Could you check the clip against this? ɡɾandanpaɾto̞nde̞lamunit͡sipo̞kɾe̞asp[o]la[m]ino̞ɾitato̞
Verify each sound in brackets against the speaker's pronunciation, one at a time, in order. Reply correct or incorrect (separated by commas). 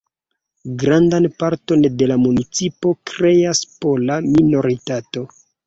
correct, correct